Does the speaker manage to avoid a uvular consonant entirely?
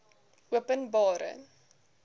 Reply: yes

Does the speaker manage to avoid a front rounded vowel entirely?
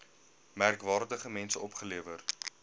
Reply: yes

